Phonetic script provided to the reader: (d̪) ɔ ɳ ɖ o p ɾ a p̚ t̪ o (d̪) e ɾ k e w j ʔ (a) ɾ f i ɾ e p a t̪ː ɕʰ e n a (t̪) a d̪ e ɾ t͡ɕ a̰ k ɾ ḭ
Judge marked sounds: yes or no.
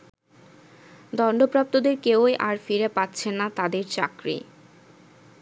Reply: yes, yes, yes, yes

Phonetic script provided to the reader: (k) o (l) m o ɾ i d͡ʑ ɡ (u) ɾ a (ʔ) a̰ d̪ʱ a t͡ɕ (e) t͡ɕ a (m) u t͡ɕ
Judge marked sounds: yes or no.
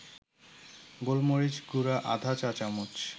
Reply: no, yes, yes, yes, no, yes

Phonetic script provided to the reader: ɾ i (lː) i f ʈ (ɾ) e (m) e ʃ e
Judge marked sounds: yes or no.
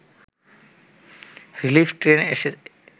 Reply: no, yes, no

